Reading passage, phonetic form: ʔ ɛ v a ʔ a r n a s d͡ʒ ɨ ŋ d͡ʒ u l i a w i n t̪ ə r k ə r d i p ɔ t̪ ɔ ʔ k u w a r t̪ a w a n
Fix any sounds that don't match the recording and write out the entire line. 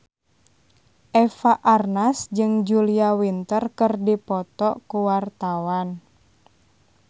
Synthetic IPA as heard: ʔ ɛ f a ʔ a r n a s d͡ʒ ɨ ŋ d͡ʒ u l i a w i n t̪ ə r k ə r d i p ɔ t̪ ɔ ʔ k u w a r t̪ a w a n